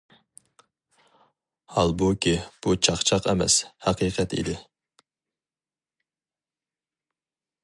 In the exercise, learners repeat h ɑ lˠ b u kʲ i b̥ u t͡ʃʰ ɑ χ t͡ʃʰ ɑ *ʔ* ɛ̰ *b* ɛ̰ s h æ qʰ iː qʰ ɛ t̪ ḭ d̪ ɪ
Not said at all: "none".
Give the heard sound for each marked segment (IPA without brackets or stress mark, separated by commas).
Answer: q, m